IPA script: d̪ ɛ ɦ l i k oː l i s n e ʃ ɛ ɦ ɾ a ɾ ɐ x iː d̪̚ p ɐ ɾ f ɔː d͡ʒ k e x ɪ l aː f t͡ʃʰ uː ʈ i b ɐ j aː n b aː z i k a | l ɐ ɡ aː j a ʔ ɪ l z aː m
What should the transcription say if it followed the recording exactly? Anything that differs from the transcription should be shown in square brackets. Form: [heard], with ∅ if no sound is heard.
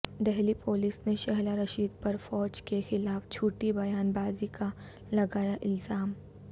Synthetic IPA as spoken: d̪ ɛ ɦ l i [p] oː l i s n e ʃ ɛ ɦ [l] a ɾ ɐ [ʃ] iː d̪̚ p ɐ ɾ f ɔː d͡ʒ k e x ɪ l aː f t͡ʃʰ uː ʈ i b ɐ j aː n b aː z i k a | l ɐ ɡ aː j a ʔ ɪ l z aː m

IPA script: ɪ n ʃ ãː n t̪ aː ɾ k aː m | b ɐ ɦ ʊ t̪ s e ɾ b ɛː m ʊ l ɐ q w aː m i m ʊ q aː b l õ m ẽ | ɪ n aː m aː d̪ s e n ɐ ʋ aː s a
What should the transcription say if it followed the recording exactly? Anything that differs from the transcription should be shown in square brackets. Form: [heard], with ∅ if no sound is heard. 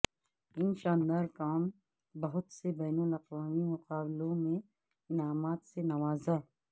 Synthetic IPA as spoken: ɪ n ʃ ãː n [d̪] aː ɾ k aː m | b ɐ ɦ ʊ t̪ s e [∅] b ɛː [n] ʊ l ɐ q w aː m i m ʊ q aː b l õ m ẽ | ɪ n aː m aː [t̪] s e n ɐ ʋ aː [z] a

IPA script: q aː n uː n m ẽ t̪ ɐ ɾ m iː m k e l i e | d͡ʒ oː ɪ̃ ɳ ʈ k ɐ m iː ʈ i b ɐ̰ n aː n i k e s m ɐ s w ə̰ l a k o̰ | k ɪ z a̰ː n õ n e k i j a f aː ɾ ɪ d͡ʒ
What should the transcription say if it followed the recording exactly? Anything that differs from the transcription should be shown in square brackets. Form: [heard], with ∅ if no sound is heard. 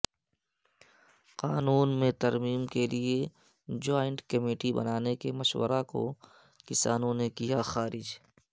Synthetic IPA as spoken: q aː n uː n m ẽ t̪ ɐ ɾ m iː m k e l i e | d͡ʒ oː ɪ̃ ɳ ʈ k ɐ m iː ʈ i b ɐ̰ n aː n [e] k e [∅] m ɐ [ʃ] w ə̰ [ɾ] a k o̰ | k ɪ [s] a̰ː n õ n e k i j a [x] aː ɾ ɪ d͡ʒ

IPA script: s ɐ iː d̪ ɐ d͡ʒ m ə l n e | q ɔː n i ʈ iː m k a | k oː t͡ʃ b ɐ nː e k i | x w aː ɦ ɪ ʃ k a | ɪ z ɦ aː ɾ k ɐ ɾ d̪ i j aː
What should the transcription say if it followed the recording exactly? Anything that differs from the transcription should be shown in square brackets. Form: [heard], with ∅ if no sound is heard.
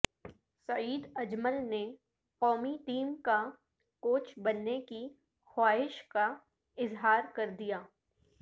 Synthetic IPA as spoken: s ɐ iː d̪ ɐ d͡ʒ m ə l n e | q ɔː [m] i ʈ iː m k a | k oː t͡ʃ b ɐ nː e k i | x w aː ɦ ɪ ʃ k a | ɪ z ɦ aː ɾ k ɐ ɾ d̪ i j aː

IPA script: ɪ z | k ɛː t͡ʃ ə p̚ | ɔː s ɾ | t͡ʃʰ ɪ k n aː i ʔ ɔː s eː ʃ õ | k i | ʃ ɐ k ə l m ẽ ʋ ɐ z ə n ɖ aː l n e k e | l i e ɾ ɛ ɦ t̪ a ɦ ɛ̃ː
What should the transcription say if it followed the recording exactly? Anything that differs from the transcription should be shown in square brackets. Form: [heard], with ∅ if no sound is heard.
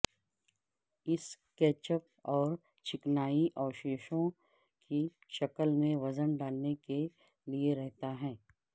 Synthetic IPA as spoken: ɪ [s] | k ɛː t͡ʃ ə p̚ | ɔː [∅] ɾ | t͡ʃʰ ɪ k n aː i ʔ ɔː [ʃ] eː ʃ õ | k i | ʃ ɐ k ə l m ẽ ʋ ɐ z ə n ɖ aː l n e k e | l i e ɾ ɛ ɦ t̪ a ɦ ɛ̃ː

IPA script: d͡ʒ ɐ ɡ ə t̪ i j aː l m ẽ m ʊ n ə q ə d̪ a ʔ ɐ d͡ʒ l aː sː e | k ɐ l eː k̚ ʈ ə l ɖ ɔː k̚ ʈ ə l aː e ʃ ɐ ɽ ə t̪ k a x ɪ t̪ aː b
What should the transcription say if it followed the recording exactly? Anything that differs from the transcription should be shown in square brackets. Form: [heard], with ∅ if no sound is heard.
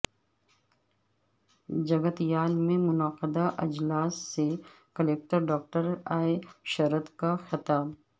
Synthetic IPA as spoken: d͡ʒ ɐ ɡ ə t̪ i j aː l m ẽ m ʊ n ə q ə d̪ a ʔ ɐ d͡ʒ l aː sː e | k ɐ l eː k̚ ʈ ə [ɾ] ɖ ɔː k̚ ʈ ə [ɾ] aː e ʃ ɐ [ɾ] ə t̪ k a x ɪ t̪ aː b

